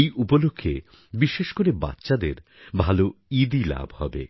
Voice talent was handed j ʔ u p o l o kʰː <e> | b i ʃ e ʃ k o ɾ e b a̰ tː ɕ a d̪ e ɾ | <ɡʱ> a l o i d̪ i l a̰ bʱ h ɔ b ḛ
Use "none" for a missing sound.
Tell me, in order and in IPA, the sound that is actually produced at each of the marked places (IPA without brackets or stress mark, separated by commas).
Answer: e, bʱ